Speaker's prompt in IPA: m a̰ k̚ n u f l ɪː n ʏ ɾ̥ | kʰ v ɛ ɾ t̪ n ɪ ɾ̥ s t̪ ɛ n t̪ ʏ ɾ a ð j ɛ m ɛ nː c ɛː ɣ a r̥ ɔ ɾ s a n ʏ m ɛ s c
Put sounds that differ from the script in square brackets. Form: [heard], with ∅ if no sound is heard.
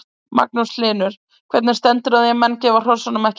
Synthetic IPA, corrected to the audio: m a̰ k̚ n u [s] l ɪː n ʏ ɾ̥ | kʰ v ɛ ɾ t̪ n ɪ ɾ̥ s t̪ ɛ n t̪ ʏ ɾ a ð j ɛ m ɛ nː c ɛː [v] a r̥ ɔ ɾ s a n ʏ m ɛ [h] c